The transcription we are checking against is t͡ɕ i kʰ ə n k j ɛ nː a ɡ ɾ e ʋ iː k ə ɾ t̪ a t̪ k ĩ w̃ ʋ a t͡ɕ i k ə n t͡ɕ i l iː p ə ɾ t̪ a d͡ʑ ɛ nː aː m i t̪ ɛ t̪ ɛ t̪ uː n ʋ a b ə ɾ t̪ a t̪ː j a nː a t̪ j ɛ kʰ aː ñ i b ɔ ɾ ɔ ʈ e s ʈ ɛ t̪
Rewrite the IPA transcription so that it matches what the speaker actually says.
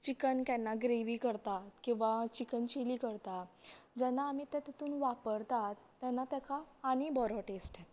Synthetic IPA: t͡ɕ i k ə n k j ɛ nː a ɡ ɾ e ʋ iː k ə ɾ t̪ a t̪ k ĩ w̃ ʋ a t͡ɕ i k ə n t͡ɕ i l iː k ə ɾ t̪ a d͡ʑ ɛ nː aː m i t̪ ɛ t̪ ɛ t̪ uː n ʋ a p ə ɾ t̪ a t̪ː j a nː a t̪ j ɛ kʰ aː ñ i b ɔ ɾ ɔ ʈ e s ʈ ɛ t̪